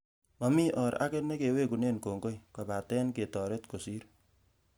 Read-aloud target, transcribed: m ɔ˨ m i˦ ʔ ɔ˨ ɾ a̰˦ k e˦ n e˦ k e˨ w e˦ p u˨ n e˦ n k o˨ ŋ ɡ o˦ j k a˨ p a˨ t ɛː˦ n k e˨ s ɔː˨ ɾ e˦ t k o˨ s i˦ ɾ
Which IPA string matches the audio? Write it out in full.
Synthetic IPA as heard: m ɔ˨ m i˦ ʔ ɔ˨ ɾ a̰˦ k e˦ n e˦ k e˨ w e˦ k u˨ n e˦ n k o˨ ŋ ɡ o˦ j k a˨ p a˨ t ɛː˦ n k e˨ t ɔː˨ ɾ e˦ t k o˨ s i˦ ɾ